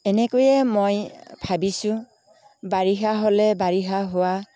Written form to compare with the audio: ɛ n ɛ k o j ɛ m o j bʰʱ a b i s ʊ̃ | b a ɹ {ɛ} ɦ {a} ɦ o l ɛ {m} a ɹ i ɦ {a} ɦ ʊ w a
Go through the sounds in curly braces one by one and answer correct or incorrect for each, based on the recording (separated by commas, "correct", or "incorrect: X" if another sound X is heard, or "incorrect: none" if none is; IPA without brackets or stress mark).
incorrect: i, correct, incorrect: b, correct